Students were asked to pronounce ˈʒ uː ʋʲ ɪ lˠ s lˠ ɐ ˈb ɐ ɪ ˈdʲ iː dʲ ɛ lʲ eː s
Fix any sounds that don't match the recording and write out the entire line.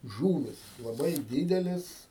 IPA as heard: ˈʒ uː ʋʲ ɪ s lˠ ɐ ˈb ɐ ɪ ˈdʲ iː dʲ ɛ lʲ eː s